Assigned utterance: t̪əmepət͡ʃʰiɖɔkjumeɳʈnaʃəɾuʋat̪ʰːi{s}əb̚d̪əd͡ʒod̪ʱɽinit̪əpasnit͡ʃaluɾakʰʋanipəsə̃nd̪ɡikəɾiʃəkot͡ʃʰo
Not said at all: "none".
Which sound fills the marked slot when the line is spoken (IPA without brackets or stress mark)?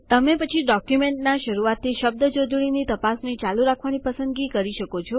ʃ